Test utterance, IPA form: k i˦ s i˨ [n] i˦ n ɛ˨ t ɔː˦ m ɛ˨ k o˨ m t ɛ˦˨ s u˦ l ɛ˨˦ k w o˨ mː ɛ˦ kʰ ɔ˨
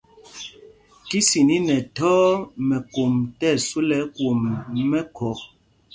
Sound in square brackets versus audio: correct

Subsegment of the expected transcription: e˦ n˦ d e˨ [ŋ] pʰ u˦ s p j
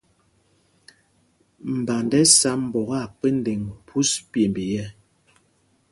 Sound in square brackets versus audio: correct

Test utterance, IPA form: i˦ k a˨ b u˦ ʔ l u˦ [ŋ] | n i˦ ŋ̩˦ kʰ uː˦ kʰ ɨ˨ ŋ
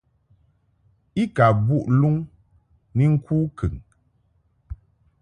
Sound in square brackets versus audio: correct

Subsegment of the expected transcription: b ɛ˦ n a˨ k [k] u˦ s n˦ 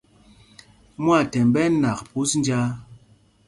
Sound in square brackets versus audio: incorrect: p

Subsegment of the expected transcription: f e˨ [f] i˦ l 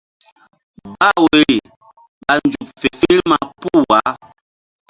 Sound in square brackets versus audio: correct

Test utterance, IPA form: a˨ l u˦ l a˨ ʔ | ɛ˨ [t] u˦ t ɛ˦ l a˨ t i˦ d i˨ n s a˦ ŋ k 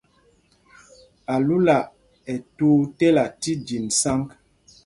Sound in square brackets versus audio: correct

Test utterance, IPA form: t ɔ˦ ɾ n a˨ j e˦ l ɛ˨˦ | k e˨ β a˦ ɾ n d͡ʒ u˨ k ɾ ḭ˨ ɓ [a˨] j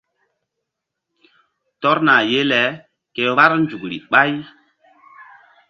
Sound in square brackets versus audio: incorrect: a˦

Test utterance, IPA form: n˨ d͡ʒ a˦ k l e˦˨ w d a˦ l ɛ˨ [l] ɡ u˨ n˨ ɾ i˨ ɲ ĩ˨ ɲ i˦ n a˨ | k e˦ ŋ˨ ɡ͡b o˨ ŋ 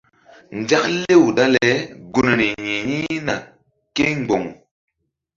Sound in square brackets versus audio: incorrect: none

